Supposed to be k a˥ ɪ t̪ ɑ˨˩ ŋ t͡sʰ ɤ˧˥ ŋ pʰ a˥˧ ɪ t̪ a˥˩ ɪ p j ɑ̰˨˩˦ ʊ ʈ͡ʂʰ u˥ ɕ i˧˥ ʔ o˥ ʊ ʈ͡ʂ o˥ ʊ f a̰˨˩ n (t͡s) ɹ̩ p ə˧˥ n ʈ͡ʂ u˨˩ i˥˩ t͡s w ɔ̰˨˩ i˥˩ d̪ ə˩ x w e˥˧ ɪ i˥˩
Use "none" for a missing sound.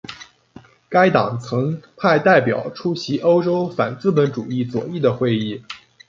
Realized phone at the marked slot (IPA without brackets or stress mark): t͡s